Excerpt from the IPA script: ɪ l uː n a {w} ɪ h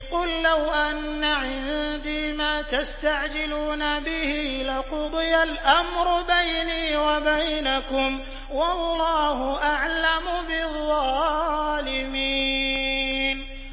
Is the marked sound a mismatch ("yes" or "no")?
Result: yes